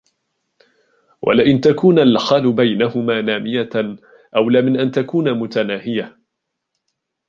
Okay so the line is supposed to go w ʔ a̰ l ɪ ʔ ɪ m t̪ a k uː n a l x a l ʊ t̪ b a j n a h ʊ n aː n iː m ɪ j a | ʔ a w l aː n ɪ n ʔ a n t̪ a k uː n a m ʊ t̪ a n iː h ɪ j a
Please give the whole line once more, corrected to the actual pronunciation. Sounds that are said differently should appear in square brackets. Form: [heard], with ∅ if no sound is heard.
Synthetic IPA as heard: w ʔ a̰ l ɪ ʔ ɪ [n] t̪ a k uː n a l x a l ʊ [∅] b a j n a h ʊ [m] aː n [aː] m ɪ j a | ʔ a w l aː [m] ɪ n ʔ a n t̪ a k uː n a m ʊ t̪ a n [aː] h ɪ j a